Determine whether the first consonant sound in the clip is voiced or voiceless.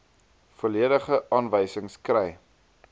voiceless